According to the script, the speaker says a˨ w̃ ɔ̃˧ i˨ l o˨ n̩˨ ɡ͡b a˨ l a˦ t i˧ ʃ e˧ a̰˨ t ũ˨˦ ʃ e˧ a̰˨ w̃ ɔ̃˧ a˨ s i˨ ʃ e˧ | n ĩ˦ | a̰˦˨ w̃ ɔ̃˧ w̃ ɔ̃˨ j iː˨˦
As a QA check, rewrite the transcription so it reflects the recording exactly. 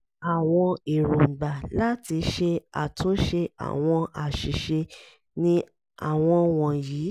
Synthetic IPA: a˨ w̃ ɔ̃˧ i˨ ɾ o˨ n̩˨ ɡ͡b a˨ l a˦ t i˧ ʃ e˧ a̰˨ t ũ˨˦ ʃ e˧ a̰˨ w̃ ɔ̃˧ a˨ ʃ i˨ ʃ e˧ | n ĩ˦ | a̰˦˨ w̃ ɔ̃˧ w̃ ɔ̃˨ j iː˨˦

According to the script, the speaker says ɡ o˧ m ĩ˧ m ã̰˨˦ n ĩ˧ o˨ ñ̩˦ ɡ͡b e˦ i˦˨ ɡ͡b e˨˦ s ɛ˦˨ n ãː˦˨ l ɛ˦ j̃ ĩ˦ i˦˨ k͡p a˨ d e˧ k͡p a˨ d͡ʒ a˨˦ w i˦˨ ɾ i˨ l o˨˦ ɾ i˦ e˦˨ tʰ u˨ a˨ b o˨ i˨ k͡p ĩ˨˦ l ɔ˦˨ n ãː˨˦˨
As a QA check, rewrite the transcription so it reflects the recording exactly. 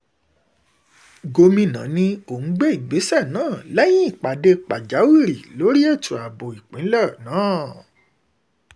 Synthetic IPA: ɡ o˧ m ĩ˧ n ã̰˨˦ n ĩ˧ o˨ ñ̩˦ ɡ͡b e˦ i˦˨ ɡ͡b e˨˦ s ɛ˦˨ n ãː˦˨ l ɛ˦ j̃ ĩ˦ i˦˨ k͡p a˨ d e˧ k͡p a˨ d͡ʒ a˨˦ w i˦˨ ɾ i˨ l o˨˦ ɾ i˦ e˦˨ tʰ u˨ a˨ b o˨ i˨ k͡p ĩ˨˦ l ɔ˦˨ n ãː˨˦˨

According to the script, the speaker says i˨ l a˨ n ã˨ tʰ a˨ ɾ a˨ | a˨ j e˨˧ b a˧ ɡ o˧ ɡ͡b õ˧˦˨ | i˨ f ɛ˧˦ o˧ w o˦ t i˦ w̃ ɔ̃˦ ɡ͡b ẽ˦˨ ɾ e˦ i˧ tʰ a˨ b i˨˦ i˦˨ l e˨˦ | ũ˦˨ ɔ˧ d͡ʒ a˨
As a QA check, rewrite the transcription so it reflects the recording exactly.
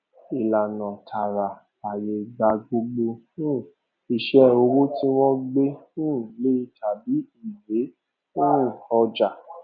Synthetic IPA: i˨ l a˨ n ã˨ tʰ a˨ ɾ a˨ | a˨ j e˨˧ ɡ͡b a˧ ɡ o˧ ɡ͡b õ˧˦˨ | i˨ ʃ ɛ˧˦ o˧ w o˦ t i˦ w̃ ɔ̃˦ ɡ͡b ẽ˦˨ l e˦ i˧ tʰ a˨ b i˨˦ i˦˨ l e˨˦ | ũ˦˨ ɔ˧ d͡ʒ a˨

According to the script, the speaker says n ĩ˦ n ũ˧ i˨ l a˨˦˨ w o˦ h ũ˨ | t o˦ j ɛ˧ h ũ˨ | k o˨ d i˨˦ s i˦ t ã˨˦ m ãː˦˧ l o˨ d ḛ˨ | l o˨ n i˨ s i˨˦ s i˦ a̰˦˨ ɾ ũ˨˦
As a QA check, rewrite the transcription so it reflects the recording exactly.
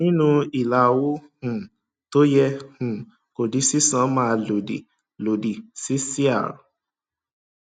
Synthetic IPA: n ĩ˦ n ũ˧ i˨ l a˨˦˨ w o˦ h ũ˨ | t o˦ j ɛ˧ h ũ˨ | k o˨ d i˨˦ s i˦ s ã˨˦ m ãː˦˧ l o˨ d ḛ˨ | l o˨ d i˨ s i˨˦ s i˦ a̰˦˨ ɾ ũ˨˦

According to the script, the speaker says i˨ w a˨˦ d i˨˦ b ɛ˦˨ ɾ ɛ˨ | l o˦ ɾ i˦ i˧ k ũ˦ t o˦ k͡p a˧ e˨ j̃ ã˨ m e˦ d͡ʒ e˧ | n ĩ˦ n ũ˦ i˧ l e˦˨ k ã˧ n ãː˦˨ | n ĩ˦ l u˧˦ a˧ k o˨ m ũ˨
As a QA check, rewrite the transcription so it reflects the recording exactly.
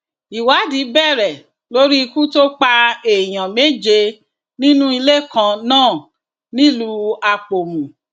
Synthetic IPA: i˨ w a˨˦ d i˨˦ b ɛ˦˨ ɾ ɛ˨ | l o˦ ɾ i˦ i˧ k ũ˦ t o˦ k͡p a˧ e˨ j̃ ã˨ m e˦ d͡ʒ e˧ | n ĩ˦ n ũ˦ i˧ l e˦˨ k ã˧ n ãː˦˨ | n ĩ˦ l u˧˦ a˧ k͡p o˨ m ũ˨

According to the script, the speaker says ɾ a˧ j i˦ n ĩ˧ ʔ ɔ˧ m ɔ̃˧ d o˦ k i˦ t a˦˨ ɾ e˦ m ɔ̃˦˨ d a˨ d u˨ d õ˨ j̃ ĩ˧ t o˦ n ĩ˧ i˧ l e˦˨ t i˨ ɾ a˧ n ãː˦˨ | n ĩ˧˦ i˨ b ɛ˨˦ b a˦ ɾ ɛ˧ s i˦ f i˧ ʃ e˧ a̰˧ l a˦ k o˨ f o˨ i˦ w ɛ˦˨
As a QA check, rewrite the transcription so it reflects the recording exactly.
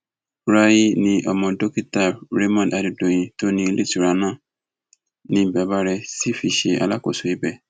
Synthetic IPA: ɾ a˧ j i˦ n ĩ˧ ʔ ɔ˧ m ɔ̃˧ d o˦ k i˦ t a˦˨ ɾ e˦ m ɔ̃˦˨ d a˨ d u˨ d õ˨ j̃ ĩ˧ t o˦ n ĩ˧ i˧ l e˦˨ t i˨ ɾ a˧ n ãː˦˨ | n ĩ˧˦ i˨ b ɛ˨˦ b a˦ ɾ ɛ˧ s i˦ f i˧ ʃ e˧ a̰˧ l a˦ k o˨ s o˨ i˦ b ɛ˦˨

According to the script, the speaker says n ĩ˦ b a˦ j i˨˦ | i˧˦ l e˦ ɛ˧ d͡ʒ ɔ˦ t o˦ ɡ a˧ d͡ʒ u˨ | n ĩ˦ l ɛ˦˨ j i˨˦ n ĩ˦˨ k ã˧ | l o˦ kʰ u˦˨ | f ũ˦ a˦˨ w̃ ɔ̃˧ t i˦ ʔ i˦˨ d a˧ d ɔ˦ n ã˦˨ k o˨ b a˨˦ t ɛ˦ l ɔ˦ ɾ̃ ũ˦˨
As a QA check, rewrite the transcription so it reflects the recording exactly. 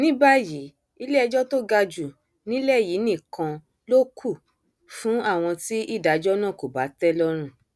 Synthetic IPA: n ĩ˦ b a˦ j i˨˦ | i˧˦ l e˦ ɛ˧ d͡ʒ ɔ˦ t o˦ ɡ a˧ d͡ʒ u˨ | n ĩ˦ l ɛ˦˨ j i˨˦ n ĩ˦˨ k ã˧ | l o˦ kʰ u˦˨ | f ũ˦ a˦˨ w̃ ɔ̃˧ t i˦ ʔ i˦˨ d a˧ d͡ʒ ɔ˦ n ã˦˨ k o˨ b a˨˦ t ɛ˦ l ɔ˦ ɾ̃ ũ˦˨

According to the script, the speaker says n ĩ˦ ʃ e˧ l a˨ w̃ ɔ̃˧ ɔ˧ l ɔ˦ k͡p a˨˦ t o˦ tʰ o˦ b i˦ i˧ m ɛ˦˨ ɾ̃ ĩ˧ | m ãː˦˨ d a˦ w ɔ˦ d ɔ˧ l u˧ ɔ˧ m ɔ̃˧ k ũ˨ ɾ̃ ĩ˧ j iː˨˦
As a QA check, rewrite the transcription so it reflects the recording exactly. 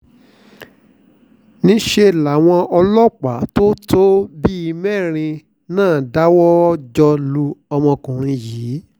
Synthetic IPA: n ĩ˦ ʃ e˧ l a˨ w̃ ɔ̃˧ ɔ˧ l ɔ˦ k͡p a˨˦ t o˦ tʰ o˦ b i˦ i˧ m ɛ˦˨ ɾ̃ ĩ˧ | n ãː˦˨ d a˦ w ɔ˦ d͡ʒ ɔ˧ l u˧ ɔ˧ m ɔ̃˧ k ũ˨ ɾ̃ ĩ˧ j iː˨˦

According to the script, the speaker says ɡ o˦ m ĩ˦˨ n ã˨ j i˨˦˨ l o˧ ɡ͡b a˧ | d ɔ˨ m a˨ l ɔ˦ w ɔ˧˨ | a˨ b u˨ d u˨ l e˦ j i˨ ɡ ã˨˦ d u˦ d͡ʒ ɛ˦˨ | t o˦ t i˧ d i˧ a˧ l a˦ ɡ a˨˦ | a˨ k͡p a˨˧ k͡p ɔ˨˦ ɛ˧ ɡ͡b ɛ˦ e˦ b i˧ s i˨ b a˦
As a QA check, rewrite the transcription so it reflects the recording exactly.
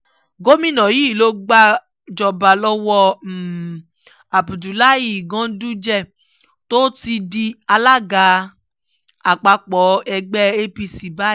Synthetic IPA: ɡ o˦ m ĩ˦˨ n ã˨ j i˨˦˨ l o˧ ɡ͡b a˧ | d͡ʒ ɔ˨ b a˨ l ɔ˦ w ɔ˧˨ | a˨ b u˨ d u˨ l a˦ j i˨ ɡ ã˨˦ d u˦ d͡ʒ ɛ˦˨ | t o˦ t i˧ d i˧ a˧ l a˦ ɡ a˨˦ | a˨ k͡p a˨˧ k͡p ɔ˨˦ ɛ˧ ɡ͡b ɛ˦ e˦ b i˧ s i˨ b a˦

